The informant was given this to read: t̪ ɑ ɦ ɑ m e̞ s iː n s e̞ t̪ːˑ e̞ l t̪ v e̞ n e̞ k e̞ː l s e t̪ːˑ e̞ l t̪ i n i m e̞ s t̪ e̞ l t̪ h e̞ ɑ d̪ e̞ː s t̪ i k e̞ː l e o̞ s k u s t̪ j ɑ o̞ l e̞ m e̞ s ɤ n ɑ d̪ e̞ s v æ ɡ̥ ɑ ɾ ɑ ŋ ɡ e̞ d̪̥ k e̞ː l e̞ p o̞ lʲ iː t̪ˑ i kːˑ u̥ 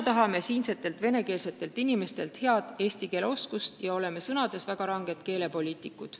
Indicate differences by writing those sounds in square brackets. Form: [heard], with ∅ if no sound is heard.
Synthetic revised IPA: t̪ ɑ ɦ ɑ m e̞ s iː n s e̞ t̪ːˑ e̞ l t̪ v e̞ n e̞ k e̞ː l s e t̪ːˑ e̞ l t̪ i n i m e̞ s t̪ e̞ l t̪ h e̞ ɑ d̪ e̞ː s t̪ i k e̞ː l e o̞ s k u s t̪ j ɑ o̞ l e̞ m e̞ s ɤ n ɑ d̪ e̞ s v æ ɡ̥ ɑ ɾ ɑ ŋ ɡ e̞ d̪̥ k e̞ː l e̞ p o̞ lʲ iː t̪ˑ i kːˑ u̥